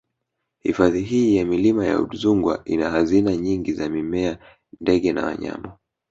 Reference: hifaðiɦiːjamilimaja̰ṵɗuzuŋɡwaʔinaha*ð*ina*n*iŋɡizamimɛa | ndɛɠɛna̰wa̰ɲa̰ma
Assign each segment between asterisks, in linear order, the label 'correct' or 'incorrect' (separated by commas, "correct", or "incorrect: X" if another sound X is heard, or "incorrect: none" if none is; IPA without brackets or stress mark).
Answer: incorrect: z, incorrect: ɲ